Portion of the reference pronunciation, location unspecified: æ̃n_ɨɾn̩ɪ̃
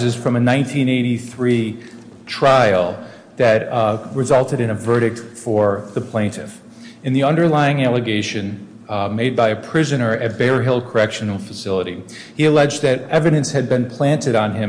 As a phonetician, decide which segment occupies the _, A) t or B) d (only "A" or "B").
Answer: A